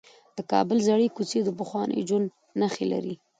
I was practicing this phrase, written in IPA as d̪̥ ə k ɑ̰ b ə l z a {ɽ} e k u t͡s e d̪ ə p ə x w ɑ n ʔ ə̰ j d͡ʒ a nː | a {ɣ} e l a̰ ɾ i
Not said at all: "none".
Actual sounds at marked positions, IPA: ɽ, x

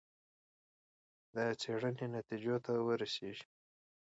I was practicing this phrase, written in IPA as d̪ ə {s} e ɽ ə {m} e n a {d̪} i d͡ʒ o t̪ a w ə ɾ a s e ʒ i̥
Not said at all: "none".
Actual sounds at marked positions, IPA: t͡s, n, t̪

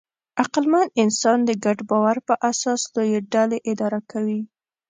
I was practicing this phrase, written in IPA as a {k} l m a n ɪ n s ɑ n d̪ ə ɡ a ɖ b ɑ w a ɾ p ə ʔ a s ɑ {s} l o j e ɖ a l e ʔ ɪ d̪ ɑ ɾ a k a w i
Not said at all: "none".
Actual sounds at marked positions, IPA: q, s

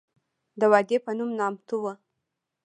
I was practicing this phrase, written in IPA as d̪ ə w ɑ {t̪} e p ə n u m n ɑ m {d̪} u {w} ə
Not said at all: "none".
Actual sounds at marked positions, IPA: d̪, t̪, w

